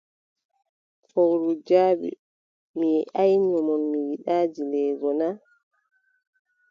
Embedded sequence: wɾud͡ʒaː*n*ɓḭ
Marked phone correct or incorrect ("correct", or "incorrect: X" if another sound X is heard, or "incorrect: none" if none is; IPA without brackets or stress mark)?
incorrect: none